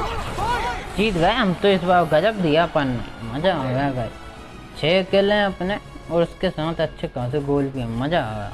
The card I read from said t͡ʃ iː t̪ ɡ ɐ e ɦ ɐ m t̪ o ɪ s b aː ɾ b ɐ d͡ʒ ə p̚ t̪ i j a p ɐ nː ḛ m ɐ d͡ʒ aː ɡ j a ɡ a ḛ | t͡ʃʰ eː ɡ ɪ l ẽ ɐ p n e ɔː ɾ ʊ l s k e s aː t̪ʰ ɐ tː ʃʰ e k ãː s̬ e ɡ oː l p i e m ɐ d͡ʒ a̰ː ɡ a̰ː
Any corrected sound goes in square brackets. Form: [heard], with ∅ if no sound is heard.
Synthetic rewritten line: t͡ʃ iː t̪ ɡ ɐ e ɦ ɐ m t̪ o ɪ s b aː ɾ [ɡ] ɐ d͡ʒ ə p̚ [d̪] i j a p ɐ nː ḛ m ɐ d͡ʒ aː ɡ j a ɡ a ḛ | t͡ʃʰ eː [k] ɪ l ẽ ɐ p n e ɔː ɾ ʊ [∅] s k e s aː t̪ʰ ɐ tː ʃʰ e k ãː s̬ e ɡ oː l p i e m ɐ d͡ʒ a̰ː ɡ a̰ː